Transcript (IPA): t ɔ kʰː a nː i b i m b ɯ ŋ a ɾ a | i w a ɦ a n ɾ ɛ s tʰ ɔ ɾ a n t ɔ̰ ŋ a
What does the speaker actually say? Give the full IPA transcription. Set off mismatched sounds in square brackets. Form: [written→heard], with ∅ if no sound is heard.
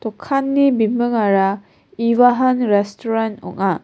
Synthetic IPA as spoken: t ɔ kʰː a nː i b i m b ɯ ŋ a ɾ a | i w a ɦ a n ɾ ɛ s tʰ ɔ ɾ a n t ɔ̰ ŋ a

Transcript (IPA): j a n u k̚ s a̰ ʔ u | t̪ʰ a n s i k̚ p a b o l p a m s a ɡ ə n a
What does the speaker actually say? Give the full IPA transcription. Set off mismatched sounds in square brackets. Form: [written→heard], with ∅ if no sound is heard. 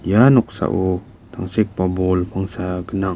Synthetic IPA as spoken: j a n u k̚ s a̰ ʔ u | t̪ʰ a [n→ŋ] s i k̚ p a b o l p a [m→ŋ] s a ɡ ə n a

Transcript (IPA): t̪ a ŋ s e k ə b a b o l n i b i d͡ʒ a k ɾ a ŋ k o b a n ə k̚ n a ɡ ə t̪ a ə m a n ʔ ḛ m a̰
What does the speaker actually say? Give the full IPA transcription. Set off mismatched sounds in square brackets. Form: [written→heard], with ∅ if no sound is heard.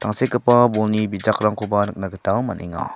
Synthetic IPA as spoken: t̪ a ŋ s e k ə [b→p] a b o l n i b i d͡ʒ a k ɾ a ŋ k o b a n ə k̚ n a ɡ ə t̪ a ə m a n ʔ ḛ [m→ŋ] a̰

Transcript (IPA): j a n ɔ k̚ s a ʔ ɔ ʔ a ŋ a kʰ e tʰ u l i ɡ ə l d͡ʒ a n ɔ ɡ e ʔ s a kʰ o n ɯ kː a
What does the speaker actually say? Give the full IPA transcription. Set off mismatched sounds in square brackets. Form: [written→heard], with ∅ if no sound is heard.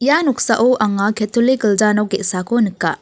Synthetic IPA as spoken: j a n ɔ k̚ s a ʔ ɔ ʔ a ŋ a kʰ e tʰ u l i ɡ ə l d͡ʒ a n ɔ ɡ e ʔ s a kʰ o n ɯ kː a

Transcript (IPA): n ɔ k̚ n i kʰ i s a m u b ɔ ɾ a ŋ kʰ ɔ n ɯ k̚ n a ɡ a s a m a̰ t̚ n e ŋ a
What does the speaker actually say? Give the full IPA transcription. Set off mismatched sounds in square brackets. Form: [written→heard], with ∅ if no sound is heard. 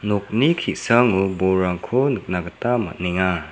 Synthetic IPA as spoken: n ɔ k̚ n i kʰ i s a [m→ŋ] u b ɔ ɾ a ŋ kʰ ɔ n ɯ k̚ n a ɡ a [s→t] a m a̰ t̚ n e ŋ a

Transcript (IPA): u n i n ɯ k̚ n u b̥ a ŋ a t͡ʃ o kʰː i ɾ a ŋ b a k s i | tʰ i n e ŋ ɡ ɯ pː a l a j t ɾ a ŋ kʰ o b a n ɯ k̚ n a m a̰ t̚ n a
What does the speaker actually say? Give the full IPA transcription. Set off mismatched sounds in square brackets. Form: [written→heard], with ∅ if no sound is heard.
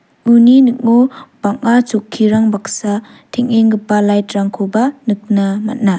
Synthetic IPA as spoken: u n i n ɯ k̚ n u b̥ a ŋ a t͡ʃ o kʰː i ɾ a ŋ b a k s [i→a] | tʰ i [n→ŋ] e ŋ ɡ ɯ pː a l a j t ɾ a ŋ kʰ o b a n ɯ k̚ n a m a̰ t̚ n a

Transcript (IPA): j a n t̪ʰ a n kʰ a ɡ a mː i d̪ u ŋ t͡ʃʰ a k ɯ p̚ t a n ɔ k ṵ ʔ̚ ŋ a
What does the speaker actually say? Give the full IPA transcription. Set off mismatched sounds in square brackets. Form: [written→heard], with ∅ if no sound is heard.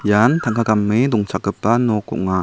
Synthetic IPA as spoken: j a n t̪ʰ a [n→ŋ] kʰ a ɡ a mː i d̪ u ŋ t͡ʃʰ a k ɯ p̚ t a n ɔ k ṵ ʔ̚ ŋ a

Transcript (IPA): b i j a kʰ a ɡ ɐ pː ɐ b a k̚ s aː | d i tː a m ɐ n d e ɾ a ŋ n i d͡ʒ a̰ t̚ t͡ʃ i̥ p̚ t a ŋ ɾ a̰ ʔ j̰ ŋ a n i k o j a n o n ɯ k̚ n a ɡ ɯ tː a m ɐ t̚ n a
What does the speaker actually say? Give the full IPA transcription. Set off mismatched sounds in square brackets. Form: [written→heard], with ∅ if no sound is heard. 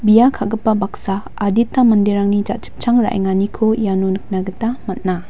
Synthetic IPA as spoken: b i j a kʰ a ɡ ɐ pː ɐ b a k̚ s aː | d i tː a m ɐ n d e ɾ a ŋ n i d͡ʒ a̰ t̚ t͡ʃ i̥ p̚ [t→t͡ʃ] a ŋ ɾ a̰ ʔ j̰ ŋ a n i [k→kʰ] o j a n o n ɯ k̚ n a ɡ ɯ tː a m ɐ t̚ n a

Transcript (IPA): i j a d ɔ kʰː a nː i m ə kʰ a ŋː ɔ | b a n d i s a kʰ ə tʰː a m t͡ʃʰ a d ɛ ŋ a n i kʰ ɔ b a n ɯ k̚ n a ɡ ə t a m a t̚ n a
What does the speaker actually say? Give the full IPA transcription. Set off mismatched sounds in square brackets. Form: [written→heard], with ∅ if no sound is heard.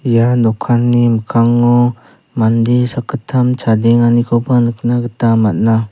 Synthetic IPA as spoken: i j a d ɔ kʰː a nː i m ə kʰ a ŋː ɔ | [b→m] a n d i s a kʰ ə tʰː a m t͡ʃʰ a d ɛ ŋ a n i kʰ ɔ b a n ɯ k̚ n a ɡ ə t a m a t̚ n a

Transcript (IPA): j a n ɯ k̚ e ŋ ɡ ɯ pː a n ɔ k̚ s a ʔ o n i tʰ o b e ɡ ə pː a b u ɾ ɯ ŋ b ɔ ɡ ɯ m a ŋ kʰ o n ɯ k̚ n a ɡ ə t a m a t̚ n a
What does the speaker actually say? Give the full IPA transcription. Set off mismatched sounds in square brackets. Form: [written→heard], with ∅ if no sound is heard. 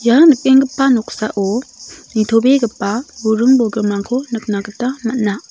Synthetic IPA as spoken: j a n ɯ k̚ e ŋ ɡ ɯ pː a n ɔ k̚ s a ʔ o n i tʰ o b e ɡ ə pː a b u ɾ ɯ ŋ b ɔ ɡ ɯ m a ŋ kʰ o n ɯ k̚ n a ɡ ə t a m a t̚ n a

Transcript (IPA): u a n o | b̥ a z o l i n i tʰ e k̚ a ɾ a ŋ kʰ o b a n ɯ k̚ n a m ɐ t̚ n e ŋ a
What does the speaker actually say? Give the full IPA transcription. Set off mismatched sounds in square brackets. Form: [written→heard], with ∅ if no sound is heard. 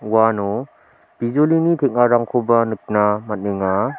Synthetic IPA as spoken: [u→w] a n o | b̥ [a→i] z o l i n i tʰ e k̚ a ɾ a ŋ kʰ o b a n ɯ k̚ n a m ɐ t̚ n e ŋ a

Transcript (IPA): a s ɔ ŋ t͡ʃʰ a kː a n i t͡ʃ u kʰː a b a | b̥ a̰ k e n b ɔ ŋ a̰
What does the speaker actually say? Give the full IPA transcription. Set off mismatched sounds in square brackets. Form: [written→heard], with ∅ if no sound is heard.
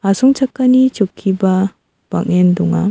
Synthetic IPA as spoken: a s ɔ ŋ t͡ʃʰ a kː a n i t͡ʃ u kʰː [a→i] b a | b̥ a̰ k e n [b→d] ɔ ŋ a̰

